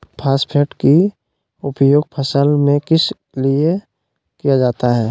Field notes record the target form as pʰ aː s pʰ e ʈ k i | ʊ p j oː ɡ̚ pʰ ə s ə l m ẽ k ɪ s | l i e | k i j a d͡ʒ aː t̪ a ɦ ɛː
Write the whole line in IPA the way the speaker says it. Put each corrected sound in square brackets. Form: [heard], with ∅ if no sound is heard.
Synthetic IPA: pʰ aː s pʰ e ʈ k i | ʊ p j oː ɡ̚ pʰ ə s ə l m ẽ k ɪ s | l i e | k i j a d͡ʒ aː t̪ a ɦ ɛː